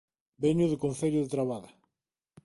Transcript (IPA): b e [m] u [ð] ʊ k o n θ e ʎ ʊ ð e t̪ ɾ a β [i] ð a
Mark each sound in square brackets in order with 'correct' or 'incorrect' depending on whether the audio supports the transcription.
incorrect, correct, incorrect

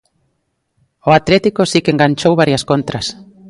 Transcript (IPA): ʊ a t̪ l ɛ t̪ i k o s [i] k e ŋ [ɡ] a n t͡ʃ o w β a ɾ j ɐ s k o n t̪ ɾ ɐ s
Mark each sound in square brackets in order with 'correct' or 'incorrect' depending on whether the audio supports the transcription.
correct, correct

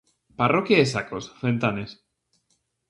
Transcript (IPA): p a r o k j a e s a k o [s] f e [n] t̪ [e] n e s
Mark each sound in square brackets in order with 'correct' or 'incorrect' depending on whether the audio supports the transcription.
correct, correct, incorrect

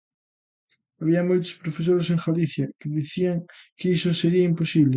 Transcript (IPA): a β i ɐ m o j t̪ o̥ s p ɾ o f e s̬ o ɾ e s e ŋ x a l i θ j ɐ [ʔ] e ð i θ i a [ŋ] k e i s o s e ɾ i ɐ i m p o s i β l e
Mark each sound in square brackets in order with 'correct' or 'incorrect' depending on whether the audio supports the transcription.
incorrect, correct

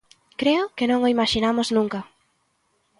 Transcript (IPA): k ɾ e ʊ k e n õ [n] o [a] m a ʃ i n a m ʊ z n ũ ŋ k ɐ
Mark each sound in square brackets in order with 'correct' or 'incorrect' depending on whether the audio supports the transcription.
incorrect, incorrect

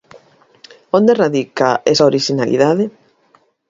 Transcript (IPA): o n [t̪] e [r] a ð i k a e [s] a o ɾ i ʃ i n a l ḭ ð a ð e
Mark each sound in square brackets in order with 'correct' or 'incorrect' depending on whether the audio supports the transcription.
incorrect, correct, correct

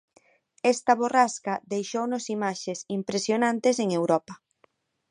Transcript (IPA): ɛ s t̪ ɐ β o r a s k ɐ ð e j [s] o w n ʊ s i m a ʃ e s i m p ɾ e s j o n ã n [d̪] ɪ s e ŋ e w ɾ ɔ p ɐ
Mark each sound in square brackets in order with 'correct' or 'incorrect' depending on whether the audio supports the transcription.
incorrect, incorrect

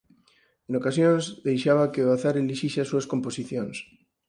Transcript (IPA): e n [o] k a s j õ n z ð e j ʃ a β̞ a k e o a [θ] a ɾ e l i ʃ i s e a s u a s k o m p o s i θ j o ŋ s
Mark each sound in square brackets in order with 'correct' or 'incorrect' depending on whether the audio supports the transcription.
correct, correct

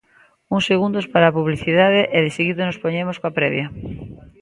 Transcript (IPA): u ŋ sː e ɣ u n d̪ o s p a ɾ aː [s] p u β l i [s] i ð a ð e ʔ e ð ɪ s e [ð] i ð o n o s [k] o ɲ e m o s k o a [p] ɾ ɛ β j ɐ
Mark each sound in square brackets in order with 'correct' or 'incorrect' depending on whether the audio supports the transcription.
incorrect, incorrect, incorrect, incorrect, correct

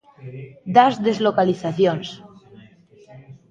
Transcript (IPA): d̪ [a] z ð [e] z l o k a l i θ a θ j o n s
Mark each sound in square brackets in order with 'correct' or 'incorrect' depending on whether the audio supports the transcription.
correct, correct

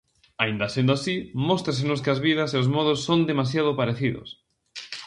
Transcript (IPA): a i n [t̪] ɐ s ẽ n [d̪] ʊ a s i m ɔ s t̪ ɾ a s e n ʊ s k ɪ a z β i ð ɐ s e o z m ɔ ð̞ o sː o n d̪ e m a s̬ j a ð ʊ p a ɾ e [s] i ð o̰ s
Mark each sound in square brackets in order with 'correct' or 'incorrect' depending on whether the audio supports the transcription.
incorrect, correct, incorrect

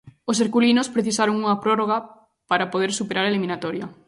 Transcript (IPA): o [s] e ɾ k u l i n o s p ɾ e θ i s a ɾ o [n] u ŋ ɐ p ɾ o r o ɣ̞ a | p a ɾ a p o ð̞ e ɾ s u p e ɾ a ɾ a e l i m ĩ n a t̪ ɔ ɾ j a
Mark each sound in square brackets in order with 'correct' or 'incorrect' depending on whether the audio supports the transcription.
correct, incorrect

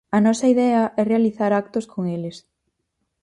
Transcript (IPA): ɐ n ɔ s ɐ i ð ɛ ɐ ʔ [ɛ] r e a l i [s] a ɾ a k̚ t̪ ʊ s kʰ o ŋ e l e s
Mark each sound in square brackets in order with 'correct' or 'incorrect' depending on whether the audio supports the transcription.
correct, incorrect

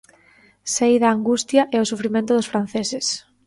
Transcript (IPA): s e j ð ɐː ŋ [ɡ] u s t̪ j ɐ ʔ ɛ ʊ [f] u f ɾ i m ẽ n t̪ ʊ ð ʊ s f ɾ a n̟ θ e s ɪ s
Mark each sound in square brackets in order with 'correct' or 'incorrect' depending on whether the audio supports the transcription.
correct, incorrect

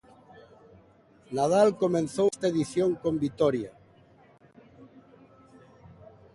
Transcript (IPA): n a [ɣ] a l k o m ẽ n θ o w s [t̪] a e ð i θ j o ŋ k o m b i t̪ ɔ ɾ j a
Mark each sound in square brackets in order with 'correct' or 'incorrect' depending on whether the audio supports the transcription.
incorrect, correct

